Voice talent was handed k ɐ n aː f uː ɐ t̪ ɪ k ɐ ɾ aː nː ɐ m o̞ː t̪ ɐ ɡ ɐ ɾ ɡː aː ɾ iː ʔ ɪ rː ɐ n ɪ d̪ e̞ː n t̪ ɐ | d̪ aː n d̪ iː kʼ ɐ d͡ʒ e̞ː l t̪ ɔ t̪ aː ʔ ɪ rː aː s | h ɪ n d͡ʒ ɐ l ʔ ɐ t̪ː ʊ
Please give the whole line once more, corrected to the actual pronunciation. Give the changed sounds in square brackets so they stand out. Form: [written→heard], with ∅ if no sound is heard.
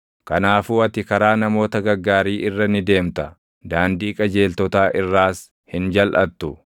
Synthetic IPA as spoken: k ɐ n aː f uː ɐ t̪ ɪ k ɐ ɾ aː [nː→n] ɐ m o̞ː t̪ ɐ ɡ ɐ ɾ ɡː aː ɾ iː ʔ ɪ rː ɐ n ɪ d̪ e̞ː [n→m] t̪ ɐ | d̪ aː n d̪ iː kʼ ɐ d͡ʒ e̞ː l t̪ ɔ t̪ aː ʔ ɪ rː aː s | h ɪ n d͡ʒ ɐ l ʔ ɐ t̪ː ʊ